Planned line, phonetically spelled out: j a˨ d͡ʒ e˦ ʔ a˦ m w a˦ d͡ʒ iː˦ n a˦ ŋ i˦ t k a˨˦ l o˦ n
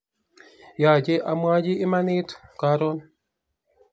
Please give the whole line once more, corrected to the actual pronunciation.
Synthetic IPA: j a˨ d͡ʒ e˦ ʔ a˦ m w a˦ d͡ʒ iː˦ m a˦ n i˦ t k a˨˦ ɾ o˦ n